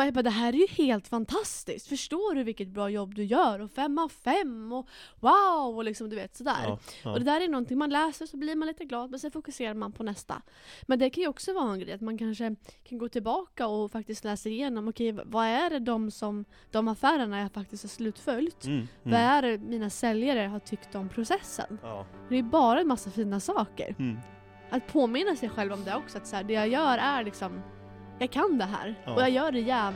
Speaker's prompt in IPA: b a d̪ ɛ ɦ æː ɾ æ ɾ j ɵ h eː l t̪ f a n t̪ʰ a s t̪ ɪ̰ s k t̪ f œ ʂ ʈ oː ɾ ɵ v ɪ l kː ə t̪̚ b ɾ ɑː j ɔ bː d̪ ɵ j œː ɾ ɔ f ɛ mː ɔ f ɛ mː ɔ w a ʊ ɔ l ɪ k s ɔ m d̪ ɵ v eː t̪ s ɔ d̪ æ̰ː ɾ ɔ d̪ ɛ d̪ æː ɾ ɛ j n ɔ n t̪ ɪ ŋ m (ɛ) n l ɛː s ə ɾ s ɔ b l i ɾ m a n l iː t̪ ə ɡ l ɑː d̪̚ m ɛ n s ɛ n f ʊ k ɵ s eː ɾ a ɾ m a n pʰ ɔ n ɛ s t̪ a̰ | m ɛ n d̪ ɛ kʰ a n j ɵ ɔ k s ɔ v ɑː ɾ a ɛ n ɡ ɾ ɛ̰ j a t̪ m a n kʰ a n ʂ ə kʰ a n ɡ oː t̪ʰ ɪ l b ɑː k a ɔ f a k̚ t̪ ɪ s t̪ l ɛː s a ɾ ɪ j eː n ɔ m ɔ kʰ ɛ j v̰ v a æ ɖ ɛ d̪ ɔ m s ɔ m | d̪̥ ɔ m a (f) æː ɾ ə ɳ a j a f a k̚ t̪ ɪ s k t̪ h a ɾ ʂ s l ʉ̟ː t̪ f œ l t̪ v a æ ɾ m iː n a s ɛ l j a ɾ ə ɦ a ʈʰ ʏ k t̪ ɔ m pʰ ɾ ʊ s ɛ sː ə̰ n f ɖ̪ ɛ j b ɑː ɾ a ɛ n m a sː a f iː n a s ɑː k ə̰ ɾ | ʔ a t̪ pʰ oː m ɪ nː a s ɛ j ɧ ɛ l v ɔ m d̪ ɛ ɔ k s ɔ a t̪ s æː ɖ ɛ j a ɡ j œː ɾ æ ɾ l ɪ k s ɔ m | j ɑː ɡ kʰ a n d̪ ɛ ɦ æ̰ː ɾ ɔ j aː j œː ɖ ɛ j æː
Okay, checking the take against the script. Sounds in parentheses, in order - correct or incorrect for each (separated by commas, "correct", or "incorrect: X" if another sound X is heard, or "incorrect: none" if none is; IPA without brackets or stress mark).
incorrect: a, correct